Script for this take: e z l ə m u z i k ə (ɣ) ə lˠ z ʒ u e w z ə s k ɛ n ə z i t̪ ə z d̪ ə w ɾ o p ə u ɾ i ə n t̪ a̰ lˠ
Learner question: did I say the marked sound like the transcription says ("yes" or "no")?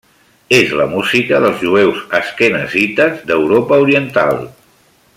no